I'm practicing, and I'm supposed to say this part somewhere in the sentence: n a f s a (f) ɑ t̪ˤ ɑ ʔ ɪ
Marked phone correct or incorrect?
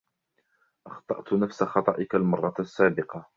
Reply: incorrect